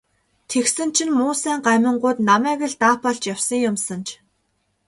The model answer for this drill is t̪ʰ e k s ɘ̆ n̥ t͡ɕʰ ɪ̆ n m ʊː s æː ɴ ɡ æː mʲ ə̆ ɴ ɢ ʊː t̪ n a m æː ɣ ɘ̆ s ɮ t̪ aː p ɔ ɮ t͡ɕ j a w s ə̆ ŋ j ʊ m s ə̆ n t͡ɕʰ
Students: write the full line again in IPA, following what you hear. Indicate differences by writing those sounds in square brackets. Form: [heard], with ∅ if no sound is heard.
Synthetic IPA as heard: t̪ʰ e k s ɘ̆ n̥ t͡ɕʰ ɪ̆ n m ʊː s æː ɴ [ɢ] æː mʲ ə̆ ɴ ɢ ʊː t̪ n a m æː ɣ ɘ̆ [∅] ɮ t̪ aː p ɔ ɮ t͡ɕ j a w s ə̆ ŋ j ʊ m s ə̆ n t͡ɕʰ